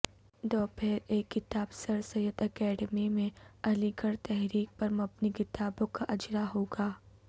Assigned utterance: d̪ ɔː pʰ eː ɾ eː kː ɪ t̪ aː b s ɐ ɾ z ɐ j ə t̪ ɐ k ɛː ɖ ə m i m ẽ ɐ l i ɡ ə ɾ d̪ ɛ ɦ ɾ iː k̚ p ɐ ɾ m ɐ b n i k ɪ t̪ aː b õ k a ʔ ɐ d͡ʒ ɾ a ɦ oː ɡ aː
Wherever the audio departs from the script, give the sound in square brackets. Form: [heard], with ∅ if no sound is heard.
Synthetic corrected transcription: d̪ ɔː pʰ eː ɾ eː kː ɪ t̪ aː b s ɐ ɾ [s] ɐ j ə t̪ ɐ k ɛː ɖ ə m i m ẽ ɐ l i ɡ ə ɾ [t̪] ɛ ɦ ɾ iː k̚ p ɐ ɾ m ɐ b n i k ɪ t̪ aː b õ k a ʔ ɐ d͡ʒ ɾ a ɦ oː ɡ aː